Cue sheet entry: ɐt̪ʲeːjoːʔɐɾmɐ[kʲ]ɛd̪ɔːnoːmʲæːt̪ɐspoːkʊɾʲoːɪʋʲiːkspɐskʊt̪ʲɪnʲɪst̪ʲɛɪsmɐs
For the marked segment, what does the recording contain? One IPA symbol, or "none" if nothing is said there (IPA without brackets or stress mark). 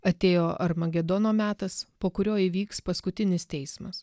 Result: ɡʲ